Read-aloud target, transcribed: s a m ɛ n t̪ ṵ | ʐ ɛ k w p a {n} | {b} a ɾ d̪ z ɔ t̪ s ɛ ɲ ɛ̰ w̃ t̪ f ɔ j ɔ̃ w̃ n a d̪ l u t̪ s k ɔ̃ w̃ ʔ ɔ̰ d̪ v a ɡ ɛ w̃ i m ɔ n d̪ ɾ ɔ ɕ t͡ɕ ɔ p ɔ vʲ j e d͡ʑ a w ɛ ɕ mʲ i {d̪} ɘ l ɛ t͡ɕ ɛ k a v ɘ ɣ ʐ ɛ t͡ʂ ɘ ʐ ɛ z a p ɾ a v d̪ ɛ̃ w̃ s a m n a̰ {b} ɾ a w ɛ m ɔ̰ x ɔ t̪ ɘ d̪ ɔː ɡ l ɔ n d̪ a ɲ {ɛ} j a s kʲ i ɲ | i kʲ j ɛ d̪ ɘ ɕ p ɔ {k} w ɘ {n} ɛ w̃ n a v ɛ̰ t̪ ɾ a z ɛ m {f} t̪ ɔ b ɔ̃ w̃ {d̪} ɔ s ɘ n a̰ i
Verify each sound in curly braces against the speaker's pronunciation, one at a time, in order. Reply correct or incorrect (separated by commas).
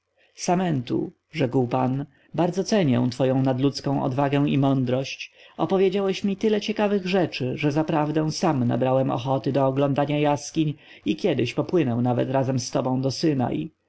correct, correct, incorrect, correct, incorrect, incorrect, correct, incorrect, correct